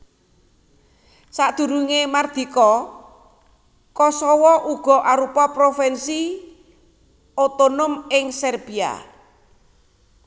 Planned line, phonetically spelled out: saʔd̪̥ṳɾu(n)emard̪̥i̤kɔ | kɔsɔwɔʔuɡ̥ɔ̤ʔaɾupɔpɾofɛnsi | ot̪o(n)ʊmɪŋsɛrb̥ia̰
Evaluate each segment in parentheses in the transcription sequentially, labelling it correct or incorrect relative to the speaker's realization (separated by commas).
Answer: incorrect, correct